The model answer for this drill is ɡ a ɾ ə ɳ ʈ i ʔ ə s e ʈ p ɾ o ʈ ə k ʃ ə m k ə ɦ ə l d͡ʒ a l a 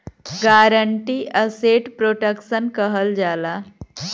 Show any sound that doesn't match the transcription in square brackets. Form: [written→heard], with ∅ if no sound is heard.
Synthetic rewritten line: ɡ a ɾ ə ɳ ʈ i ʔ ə s e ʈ p ɾ o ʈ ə k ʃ ə [m→n] k ə ɦ ə l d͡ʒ a l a

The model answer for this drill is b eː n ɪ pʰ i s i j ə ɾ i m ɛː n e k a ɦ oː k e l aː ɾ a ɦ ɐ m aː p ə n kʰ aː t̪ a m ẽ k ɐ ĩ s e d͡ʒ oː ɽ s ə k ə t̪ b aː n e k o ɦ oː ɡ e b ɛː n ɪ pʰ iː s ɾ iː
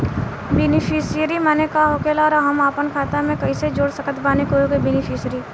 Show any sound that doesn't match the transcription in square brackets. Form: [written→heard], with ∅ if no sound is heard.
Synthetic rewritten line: b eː n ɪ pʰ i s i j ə ɾ i m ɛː n e k a ɦ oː k e l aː ɾ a ɦ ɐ m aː p ə n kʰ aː t̪ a m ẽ k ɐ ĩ s e d͡ʒ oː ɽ s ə k ə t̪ b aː n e k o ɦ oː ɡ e b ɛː n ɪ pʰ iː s ɾ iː

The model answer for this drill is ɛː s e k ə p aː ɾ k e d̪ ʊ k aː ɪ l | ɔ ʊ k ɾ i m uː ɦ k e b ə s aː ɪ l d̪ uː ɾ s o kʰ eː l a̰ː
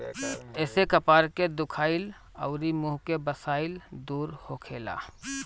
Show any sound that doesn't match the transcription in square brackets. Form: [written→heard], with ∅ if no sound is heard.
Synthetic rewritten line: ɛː s e k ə p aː ɾ k e d̪ ʊ [k→kʰ] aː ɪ l | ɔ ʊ [k→∅] ɾ i m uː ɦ k e b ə s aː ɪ l d̪ uː ɾ [s→h] o kʰ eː l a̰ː

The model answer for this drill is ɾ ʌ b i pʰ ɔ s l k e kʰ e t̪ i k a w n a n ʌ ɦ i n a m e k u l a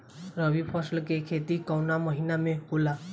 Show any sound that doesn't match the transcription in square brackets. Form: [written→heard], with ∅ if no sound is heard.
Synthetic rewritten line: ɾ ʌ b i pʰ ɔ s l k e kʰ e t̪ i k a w n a [n→m] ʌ ɦ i n a m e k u l a

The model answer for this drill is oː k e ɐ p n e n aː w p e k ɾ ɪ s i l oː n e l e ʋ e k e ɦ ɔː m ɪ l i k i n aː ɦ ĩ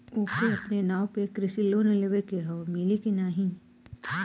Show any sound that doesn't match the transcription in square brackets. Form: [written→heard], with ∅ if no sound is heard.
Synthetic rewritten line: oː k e ɐ p n e n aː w p e k ɾ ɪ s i l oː n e l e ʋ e k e ɦ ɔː m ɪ l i k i n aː ɦ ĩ

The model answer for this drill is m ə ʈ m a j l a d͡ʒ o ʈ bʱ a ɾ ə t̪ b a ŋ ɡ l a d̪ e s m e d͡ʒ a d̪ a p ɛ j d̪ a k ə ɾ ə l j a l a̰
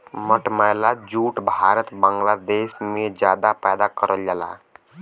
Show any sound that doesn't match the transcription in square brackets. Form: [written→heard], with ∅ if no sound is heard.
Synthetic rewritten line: m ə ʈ m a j l a d͡ʒ [o→u] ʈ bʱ a ɾ ə t̪ b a ŋ ɡ l a d̪ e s m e d͡ʒ a d̪ a p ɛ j d̪ a k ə ɾ ə l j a l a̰

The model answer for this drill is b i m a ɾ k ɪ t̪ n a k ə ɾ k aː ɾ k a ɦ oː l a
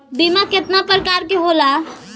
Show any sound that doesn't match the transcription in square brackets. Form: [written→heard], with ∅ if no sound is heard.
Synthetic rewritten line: b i m a [ɾ→∅] k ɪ t̪ n a [k→p] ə ɾ k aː ɾ k [a→e] ɦ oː l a

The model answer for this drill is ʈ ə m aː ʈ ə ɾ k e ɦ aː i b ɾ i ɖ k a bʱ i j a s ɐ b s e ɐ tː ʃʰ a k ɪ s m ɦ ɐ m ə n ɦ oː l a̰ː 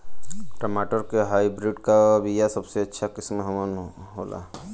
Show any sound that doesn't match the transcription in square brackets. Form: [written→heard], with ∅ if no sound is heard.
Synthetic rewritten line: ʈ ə m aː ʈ ə ɾ k e ɦ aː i b ɾ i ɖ k a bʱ i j a s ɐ b s e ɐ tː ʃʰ a k ɪ s m ɦ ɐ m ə n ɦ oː l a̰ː

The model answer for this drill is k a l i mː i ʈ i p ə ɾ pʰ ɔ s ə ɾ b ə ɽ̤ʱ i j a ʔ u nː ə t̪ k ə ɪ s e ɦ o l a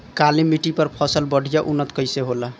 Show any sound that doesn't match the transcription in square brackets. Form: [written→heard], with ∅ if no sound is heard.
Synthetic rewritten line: k a l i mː i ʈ i p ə ɾ pʰ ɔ s ə [ɾ→l] b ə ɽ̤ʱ i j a ʔ u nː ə t̪ k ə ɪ s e ɦ o l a

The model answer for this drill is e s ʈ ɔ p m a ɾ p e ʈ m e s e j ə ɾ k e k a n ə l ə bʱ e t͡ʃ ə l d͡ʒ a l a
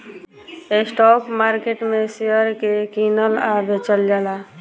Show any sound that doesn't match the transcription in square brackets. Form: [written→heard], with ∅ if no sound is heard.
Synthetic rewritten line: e s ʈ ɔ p m a ɾ [p→k] e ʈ m e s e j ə ɾ k e k [a→i] n ə l [ə→a] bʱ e t͡ʃ ə l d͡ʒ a l a

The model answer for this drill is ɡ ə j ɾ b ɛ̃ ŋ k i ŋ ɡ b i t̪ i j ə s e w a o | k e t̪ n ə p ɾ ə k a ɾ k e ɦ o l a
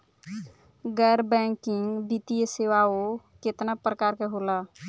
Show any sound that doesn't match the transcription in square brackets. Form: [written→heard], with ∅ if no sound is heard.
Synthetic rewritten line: ɡ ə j ɾ b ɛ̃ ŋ k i ŋ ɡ b i t̪ i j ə s e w a o | k e t̪ n [ə→a] p ɾ ə k a ɾ k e ɦ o l a

